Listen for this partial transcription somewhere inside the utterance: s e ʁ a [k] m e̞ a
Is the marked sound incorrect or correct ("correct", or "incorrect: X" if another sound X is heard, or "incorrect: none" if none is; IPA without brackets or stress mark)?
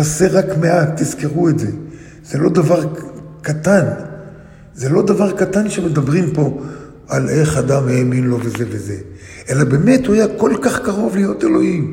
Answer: correct